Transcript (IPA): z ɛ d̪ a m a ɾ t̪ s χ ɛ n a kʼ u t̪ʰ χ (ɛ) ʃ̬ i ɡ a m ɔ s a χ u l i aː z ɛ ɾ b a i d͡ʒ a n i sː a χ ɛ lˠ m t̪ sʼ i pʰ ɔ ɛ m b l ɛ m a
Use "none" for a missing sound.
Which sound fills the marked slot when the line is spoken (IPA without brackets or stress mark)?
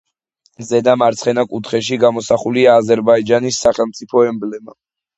ɛ